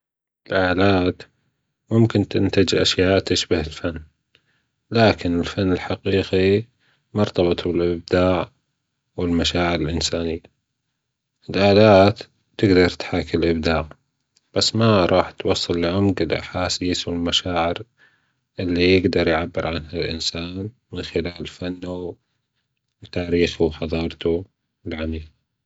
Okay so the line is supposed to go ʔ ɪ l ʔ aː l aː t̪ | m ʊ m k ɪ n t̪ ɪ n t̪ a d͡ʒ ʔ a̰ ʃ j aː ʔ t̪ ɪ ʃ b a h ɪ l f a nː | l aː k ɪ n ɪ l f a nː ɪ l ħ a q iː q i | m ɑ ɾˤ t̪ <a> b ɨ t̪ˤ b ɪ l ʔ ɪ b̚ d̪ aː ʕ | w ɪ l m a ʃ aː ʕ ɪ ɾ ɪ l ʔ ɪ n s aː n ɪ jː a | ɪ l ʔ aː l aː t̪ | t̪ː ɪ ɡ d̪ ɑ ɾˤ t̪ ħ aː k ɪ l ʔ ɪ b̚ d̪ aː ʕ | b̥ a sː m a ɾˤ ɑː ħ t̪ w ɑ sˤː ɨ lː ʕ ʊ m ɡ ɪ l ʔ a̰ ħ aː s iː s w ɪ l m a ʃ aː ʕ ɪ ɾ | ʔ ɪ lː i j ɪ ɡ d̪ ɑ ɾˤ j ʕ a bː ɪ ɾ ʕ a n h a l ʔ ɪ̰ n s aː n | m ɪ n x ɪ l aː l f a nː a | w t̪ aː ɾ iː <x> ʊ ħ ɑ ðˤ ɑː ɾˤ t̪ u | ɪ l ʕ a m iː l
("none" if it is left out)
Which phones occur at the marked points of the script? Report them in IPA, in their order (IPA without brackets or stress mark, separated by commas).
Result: ɑ, x